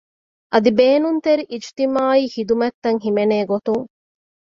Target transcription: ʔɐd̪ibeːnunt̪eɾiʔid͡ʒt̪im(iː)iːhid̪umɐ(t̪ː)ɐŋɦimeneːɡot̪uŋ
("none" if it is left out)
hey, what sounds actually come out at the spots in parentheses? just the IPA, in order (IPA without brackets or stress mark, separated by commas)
aː, t̪ː